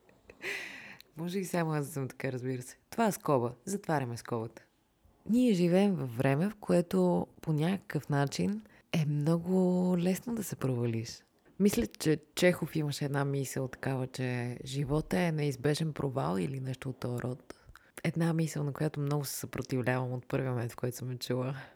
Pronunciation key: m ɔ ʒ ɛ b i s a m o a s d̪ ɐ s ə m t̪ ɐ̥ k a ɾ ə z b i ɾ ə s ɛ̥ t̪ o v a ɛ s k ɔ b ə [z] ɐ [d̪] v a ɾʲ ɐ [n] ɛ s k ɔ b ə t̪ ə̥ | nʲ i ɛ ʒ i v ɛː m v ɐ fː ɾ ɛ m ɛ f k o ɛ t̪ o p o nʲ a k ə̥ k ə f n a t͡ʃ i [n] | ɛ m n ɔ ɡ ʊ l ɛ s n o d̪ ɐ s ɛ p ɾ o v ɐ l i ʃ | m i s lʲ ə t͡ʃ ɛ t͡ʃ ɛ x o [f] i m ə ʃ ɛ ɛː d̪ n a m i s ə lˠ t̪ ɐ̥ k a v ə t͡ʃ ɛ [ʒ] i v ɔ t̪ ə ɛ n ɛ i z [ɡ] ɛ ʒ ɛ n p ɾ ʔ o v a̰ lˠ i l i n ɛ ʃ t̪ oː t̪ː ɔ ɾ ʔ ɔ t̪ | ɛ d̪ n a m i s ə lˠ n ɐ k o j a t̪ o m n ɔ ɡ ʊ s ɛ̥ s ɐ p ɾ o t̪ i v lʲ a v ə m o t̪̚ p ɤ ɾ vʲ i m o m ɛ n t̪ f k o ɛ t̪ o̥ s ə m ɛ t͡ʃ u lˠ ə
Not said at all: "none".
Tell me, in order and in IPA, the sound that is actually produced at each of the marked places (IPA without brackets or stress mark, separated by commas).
z, t̪, m, n, f, ʒ, b